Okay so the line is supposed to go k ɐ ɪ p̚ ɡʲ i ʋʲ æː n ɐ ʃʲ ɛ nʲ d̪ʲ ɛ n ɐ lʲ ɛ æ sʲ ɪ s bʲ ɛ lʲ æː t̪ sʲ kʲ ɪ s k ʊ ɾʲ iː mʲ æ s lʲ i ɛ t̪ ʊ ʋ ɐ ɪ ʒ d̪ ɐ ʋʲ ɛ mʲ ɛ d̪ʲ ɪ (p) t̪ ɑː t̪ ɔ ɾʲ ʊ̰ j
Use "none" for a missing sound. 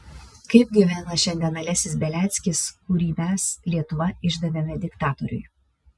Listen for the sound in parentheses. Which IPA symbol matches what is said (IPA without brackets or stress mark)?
k